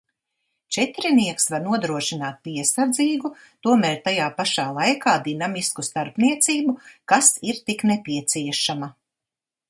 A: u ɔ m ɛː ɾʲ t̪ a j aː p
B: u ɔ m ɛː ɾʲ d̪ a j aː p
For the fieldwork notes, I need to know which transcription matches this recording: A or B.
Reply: A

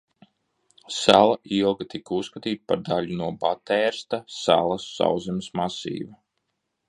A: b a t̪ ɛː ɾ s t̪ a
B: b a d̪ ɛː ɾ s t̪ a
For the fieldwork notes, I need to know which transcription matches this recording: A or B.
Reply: A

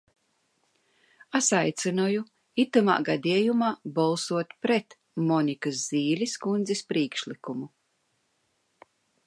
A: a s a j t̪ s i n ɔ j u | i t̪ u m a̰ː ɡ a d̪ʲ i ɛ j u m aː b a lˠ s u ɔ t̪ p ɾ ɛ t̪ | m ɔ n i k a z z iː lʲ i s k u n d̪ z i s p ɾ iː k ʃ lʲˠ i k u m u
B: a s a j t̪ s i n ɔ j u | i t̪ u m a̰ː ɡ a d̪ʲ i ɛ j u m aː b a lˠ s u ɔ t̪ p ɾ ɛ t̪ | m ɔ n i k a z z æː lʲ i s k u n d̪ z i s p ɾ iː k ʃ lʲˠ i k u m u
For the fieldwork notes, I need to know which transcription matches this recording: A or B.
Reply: A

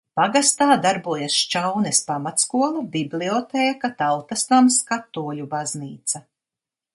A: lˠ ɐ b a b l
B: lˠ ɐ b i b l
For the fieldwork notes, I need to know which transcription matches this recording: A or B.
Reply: B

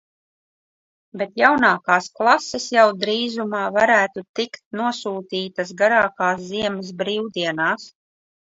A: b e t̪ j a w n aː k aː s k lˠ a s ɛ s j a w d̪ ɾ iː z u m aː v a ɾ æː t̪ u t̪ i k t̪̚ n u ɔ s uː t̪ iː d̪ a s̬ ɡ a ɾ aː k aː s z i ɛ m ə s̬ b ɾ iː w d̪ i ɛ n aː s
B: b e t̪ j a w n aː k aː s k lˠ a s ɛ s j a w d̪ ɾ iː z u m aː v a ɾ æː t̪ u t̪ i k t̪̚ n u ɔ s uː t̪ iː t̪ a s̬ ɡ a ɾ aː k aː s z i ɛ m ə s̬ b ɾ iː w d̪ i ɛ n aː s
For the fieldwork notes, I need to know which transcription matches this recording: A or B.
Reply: B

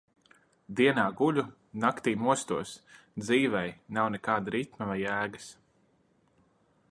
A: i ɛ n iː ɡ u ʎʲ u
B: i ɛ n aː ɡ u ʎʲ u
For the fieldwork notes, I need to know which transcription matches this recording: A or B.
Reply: B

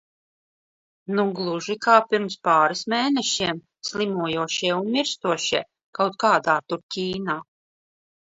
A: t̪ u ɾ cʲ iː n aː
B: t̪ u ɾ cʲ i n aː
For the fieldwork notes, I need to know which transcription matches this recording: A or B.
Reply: A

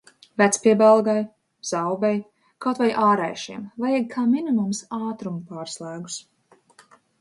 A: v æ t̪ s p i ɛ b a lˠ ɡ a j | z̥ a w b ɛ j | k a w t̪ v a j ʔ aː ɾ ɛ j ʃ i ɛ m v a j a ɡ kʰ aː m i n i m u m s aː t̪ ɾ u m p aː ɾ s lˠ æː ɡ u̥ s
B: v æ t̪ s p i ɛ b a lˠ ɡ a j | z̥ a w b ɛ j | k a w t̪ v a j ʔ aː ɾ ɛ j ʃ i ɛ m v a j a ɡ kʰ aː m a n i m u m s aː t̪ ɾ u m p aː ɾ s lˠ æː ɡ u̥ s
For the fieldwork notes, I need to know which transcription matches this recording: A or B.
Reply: A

